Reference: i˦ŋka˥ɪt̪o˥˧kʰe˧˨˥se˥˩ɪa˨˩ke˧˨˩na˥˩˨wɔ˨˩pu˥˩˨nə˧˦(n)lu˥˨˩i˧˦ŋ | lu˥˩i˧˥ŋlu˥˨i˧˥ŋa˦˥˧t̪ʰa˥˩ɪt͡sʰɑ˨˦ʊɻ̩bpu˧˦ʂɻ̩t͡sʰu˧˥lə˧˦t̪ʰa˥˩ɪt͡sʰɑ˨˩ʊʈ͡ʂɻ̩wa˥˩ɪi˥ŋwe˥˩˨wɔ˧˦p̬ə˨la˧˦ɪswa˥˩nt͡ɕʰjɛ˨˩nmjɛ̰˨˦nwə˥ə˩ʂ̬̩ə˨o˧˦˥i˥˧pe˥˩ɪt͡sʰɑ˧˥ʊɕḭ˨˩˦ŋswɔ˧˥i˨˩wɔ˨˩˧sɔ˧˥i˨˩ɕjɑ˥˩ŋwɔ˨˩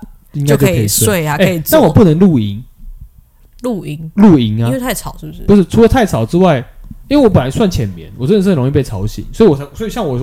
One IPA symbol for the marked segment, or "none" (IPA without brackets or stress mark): ŋ